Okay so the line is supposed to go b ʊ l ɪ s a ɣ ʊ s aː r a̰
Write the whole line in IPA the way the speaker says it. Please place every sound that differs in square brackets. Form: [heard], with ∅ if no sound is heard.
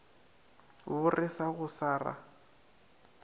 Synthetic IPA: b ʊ [r] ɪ s a ɣ ʊ s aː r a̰